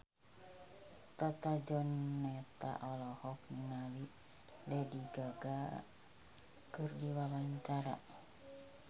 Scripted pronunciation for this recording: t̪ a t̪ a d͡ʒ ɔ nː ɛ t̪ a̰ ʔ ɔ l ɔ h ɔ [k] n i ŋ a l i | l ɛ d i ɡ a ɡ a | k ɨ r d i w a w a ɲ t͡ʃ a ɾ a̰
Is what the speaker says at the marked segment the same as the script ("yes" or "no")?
yes